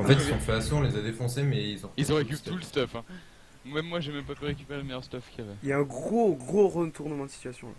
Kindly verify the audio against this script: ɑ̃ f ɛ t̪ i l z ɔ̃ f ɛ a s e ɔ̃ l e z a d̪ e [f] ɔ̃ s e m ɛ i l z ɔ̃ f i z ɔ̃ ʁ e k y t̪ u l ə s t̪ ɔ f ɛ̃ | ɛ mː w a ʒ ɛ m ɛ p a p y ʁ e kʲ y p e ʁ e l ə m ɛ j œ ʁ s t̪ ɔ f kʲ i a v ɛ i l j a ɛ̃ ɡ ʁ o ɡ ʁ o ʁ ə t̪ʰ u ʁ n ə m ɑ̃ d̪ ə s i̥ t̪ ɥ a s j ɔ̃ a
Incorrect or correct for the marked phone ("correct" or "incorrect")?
correct